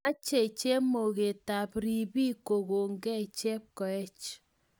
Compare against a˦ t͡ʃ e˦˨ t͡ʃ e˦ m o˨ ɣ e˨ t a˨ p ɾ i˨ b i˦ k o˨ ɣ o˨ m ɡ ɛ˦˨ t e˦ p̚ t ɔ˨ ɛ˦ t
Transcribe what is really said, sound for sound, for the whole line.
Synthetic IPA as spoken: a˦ t͡ʃ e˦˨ t͡ʃ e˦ m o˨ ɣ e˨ t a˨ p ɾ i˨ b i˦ k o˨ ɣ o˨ ŋ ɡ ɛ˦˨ t͡ʃ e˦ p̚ k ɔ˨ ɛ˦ t͡ʃ

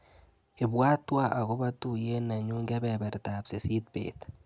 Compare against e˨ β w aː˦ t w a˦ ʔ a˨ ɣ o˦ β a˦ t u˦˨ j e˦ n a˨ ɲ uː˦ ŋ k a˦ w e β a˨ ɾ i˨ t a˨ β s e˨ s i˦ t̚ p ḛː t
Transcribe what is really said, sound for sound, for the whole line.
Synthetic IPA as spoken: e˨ β w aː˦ t w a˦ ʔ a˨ ɣ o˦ β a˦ t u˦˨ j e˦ n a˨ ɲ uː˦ ŋ ɡ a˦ β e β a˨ ɾ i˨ t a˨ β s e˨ s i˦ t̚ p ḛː t

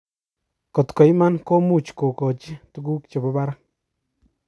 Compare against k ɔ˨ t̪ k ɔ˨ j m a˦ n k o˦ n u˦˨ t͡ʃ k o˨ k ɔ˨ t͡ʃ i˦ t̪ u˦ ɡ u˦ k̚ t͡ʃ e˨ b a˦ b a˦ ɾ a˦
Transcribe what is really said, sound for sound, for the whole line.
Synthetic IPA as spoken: k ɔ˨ t̪ k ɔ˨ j m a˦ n k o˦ m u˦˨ t͡ʃ k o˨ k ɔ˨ t͡ʃ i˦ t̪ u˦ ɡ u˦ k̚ t͡ʃ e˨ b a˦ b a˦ ɾ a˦

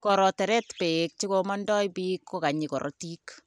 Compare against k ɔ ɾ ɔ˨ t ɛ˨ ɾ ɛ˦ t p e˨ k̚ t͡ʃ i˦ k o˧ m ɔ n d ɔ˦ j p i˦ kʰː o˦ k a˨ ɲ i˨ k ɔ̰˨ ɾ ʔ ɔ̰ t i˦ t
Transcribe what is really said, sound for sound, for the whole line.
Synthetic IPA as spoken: k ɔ ɾ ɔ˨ t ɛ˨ ɾ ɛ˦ t p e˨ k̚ t͡ʃ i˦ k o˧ m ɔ n d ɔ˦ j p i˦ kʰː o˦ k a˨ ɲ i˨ k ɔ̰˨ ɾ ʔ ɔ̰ t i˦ k

